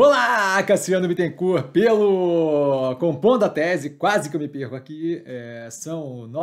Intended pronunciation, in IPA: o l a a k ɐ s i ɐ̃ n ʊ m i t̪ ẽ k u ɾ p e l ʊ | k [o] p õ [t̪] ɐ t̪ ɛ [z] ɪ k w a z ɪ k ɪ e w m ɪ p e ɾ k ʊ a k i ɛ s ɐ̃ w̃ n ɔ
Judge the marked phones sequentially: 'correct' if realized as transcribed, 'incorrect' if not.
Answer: incorrect, incorrect, correct

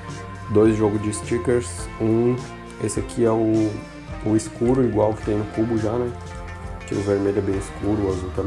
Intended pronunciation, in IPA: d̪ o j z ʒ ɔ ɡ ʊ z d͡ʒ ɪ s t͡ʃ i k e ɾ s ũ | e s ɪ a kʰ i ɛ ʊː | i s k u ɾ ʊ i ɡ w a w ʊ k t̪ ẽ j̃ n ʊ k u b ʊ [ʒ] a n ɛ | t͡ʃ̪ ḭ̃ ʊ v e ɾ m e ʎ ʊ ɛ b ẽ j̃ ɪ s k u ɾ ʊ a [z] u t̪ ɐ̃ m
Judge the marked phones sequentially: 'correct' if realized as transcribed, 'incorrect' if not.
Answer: correct, correct

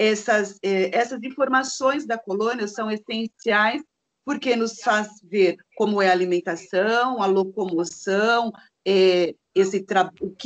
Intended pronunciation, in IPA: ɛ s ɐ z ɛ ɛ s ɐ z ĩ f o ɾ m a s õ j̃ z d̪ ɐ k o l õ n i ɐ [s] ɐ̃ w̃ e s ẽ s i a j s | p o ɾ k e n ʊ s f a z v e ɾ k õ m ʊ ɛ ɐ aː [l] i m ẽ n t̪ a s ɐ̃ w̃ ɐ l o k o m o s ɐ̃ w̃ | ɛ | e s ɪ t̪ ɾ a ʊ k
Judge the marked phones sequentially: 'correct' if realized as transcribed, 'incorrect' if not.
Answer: correct, correct

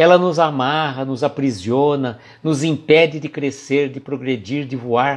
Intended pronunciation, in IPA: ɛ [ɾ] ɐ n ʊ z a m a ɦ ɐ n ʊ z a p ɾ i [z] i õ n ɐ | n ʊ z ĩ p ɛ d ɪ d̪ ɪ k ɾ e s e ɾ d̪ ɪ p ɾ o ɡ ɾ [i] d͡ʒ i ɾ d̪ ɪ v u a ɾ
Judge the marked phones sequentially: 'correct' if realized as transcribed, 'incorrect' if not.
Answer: incorrect, correct, incorrect

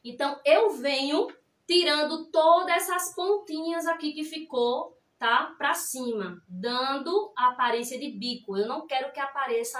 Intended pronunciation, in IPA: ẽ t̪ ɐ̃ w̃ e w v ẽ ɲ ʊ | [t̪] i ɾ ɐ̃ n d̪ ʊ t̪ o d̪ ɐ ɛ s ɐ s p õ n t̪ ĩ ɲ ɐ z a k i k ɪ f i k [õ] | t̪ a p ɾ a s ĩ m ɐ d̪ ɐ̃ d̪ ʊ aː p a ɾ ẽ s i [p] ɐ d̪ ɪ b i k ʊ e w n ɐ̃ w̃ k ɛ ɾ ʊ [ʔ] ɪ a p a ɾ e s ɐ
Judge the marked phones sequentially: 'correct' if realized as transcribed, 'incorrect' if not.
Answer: correct, incorrect, incorrect, incorrect

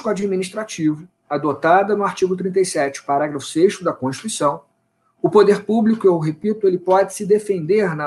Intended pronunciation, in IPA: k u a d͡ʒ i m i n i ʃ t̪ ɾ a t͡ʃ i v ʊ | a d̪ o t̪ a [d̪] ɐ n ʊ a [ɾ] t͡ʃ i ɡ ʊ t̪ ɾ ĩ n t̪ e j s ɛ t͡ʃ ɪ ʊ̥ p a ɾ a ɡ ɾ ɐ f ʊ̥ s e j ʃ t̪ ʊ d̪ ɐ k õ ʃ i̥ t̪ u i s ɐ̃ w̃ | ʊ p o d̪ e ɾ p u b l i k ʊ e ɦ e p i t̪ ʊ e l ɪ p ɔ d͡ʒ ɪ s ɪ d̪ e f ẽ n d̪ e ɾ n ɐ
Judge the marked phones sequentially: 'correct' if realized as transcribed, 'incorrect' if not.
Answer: correct, correct

